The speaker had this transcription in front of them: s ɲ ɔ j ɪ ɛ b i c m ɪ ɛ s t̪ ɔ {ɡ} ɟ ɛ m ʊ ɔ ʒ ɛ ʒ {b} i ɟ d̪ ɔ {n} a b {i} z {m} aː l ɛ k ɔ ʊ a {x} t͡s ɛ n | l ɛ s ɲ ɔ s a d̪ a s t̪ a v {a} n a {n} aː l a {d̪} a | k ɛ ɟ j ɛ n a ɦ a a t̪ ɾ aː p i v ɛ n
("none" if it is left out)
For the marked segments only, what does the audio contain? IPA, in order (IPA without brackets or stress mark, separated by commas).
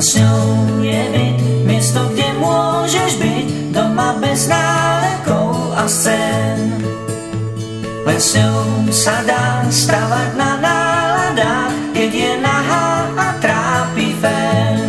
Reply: ɡ, b, m, ɛ, n, s, a, n, d̪